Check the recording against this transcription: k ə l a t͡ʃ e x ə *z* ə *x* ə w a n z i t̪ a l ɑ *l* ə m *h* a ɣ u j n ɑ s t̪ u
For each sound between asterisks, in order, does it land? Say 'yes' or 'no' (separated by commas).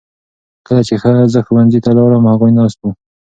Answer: yes, yes, no, yes